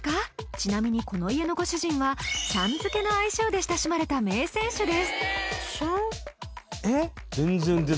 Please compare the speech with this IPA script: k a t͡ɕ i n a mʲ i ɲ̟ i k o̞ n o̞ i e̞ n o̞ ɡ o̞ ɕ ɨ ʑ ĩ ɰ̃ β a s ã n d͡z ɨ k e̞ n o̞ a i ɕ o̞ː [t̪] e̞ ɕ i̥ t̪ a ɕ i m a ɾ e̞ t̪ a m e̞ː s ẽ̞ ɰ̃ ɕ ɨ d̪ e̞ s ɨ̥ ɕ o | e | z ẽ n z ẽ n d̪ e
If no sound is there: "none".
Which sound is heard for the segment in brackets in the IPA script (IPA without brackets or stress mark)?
d̪